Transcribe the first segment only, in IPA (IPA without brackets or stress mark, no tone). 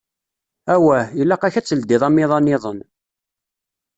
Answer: æ